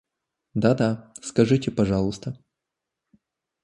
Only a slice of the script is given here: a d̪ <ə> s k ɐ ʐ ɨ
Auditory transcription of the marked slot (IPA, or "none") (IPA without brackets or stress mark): a